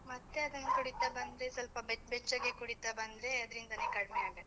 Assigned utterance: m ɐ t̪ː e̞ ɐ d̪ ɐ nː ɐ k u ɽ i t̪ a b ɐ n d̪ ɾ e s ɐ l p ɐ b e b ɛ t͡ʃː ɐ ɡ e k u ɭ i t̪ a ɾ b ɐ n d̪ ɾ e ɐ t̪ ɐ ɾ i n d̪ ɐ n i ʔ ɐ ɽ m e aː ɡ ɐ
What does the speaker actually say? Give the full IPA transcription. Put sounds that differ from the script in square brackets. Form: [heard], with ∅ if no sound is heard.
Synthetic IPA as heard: m ɐ t̪ː e̞ ɐ d̪ ɐ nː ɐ k u ɽ i t̪ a b ɐ n d̪ ɾ e s ɐ l p ɐ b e b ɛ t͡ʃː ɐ ɡ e k u [ɽ] i t̪ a [∅] b ɐ n d̪ ɾ e ɐ [d̪] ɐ ɾ i n d̪ ɐ n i [k] ɐ ɽ m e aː ɡ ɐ